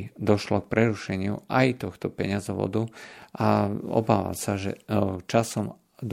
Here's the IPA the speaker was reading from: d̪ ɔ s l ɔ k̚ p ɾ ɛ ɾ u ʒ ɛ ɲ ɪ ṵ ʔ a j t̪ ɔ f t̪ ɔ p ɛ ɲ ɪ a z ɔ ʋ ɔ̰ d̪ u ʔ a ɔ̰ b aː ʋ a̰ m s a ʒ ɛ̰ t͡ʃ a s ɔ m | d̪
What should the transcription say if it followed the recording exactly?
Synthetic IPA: d̪ ɔ ʃ l ɔ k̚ p ɾ ɛ ɾ u ʃ ɛ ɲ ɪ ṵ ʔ a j t̪ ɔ x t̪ ɔ p ɛ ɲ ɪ a z ɔ ʋ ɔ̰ d̪ u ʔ a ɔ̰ b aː ʋ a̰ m s a ʒ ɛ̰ t͡ʃ a s ɔ m | d̪